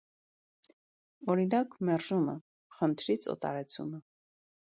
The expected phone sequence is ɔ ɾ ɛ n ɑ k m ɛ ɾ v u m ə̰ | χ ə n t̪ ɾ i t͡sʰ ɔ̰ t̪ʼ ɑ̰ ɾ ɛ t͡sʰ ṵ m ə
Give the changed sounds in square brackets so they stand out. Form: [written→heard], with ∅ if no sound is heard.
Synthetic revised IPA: ɔ ɾ [ɛ→i] n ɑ k m ɛ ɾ [v→ʒ] u m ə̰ | χ ə n [t̪→t̪ʰ] ɾ i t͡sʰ ɔ̰ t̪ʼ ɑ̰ ɾ ɛ t͡sʰ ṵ m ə